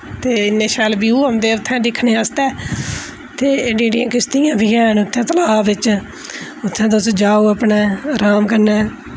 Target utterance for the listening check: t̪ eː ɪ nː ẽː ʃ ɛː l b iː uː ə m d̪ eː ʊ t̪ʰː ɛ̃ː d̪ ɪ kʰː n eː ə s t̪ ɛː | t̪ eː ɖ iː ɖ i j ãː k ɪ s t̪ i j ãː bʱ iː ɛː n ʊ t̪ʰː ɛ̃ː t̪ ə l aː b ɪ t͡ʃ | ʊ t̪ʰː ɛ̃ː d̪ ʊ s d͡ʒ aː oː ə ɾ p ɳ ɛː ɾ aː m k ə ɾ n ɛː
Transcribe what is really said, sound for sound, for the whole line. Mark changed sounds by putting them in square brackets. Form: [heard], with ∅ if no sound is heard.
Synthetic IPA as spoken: t̪ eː ɪ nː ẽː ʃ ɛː l b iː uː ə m d̪ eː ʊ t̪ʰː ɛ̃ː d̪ ɪ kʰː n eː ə s t̪ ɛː | t̪ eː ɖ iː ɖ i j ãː k ɪ s t̪ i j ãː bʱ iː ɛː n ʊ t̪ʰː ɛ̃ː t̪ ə l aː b ɪ t͡ʃ | ʊ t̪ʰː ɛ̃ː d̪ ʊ s d͡ʒ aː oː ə [∅] p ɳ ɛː ɾ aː m k ə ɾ n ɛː

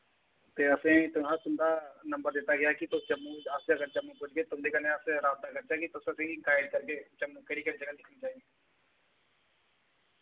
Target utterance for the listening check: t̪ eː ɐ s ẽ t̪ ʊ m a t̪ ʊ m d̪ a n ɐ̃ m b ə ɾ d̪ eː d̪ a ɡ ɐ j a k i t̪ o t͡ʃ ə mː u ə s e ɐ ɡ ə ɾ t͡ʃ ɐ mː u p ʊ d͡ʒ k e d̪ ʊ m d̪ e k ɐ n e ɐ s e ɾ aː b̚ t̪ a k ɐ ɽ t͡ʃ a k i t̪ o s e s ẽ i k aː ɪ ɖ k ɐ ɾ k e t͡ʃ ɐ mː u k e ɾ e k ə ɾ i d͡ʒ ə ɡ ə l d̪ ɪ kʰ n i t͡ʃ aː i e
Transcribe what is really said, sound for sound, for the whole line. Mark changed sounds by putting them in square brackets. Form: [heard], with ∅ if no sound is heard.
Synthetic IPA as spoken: t̪ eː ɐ s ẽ t̪ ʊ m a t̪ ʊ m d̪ a n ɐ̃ m b ə ɾ d̪ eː [t̪] a ɡ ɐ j a k i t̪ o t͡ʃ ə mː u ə s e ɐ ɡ ə ɾ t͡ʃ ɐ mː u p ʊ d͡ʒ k e [t̪] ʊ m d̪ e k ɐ n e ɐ s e ɾ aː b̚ t̪ a k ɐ [ɾ] t͡ʃ a k i t̪ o s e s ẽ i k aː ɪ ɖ k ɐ ɾ k e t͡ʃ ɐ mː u k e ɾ [i] k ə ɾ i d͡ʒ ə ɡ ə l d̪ ɪ kʰ n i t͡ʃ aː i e

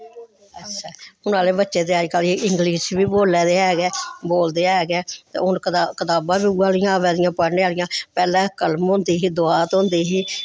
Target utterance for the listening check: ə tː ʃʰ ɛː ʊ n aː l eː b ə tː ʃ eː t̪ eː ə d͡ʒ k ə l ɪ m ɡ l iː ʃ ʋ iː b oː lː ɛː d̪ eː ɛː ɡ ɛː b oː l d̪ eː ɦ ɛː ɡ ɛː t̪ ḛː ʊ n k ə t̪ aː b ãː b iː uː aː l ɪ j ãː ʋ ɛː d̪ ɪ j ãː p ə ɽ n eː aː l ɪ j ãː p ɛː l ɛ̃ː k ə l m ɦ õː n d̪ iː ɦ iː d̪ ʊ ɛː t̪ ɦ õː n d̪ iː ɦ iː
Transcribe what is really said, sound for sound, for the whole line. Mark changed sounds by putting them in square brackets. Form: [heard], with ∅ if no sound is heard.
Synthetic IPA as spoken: ə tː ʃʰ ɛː ʊ n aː l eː b ə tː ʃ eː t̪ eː ə d͡ʒ k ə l ɪ [ŋ] ɡ l iː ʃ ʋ iː b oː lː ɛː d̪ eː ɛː ɡ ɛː b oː l d̪ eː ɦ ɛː ɡ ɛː t̪ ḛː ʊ n k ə t̪ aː b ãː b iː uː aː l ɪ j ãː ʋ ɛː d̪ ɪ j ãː p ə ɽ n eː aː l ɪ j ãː p ɛː l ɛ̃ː k ə l m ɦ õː n d̪ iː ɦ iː d̪ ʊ [aː] t̪ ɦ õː n d̪ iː ɦ iː

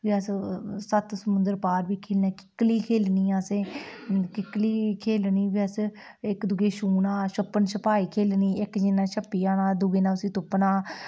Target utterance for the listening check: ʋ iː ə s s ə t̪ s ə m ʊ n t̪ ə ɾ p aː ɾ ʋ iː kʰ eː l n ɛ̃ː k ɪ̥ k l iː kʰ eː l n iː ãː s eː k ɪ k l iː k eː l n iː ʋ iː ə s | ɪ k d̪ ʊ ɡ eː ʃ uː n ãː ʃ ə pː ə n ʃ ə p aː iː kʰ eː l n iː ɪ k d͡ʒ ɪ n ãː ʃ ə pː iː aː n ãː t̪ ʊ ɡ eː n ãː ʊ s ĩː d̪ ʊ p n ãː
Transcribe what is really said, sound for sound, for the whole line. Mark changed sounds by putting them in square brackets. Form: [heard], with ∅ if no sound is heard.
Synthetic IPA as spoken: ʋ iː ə s s ə t̪ s ə m ʊ n [d̪] ə ɾ p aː ɾ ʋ iː kʰ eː l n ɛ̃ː k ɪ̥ k l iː kʰ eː l n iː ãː s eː k ɪ k l iː [kʰ] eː l n iː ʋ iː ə s | ɪ k d̪ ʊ ɡ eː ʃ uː n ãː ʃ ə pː ə n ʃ ə p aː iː kʰ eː l n iː ɪ k d͡ʒ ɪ n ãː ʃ ə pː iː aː n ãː [d̪] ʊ ɡ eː n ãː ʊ s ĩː [t̪] ʊ p n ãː

